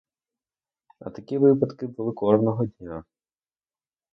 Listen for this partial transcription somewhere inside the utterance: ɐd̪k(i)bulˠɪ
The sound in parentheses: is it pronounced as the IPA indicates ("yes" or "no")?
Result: no